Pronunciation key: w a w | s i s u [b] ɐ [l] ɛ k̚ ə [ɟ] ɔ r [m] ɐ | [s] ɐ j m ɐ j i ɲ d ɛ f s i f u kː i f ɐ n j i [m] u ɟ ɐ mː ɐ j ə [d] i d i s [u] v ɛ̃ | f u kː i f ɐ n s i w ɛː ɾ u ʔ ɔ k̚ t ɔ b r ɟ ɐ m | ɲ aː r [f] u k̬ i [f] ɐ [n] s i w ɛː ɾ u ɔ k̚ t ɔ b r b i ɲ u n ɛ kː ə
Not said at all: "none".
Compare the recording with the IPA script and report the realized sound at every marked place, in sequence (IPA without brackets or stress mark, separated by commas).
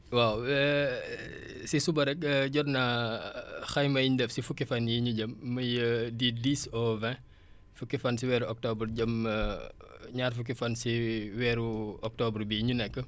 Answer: b, ɾ, ɟ, n, x, ɲ, d, ɔ, f, f, n